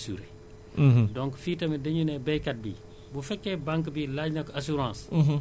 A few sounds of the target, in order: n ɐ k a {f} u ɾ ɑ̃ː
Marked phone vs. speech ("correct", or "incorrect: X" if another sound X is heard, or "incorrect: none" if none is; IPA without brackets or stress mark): incorrect: s